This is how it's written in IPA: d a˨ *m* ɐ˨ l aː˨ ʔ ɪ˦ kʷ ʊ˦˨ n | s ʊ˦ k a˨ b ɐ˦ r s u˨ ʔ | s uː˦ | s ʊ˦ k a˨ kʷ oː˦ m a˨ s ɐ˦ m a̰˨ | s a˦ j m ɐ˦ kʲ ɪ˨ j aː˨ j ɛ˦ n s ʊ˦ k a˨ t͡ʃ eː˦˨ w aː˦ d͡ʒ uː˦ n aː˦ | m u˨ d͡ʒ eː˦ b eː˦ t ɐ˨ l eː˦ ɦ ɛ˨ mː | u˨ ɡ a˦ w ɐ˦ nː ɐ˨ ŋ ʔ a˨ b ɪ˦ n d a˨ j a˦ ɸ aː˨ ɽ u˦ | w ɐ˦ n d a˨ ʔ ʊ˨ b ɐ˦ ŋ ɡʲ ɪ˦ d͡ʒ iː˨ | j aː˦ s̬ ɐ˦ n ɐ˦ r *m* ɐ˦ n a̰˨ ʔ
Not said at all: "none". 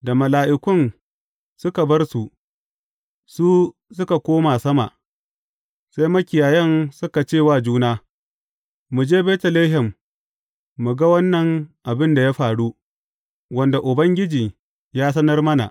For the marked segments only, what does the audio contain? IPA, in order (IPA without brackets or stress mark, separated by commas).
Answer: m, m